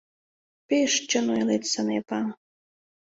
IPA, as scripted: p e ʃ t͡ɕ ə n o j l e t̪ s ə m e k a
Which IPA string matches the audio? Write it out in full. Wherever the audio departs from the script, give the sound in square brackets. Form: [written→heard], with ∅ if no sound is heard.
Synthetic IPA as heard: p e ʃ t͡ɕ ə n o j l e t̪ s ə [m→n] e [k→p] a